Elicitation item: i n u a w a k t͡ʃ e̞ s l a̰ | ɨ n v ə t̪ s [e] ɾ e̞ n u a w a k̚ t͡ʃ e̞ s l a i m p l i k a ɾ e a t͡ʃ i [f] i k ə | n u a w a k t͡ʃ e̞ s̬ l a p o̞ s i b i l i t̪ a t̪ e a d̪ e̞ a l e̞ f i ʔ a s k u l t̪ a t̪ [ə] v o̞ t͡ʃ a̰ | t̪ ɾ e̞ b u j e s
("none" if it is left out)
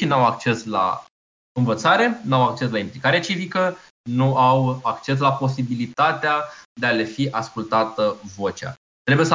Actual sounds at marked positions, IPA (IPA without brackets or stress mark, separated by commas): a, v, ə